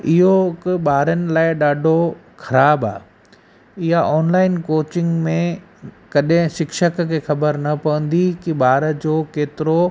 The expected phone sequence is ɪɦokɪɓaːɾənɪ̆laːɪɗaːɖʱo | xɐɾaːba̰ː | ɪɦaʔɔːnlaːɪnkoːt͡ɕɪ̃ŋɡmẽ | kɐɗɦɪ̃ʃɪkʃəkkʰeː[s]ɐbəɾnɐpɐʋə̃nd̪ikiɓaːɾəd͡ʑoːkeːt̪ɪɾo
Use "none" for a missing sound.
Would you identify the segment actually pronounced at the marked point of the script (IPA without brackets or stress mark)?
x